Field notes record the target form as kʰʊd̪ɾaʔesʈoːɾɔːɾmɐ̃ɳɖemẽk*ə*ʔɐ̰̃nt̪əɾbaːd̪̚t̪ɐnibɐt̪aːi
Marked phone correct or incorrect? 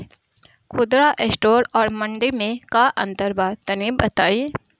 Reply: incorrect